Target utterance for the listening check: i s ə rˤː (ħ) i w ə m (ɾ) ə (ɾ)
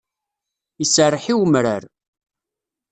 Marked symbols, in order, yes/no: yes, yes, yes

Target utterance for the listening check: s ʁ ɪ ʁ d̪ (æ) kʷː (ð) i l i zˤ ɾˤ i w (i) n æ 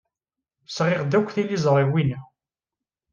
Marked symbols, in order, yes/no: yes, no, yes

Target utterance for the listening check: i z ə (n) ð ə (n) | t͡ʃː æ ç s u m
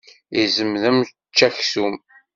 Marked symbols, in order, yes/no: no, no

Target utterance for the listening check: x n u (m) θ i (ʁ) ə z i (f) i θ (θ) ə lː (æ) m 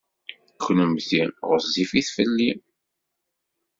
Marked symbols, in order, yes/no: yes, yes, yes, no, no

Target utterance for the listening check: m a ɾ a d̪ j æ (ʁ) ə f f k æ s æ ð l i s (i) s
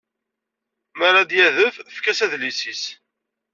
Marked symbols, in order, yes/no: no, yes

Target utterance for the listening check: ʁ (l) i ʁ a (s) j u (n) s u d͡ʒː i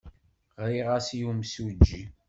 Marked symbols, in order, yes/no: no, yes, no

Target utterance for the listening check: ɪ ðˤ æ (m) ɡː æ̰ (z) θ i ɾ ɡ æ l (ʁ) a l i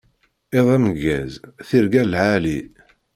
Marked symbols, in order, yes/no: yes, yes, no

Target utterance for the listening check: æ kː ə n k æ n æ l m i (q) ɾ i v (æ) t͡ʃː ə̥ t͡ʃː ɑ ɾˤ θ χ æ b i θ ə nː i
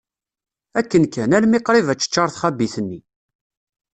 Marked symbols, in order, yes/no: yes, yes

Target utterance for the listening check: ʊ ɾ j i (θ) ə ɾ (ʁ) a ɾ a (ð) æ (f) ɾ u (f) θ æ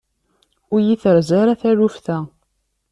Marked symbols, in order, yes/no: yes, no, no, no, yes

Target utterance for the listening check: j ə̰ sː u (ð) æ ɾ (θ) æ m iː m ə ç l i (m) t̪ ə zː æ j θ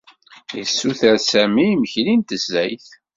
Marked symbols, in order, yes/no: no, no, no

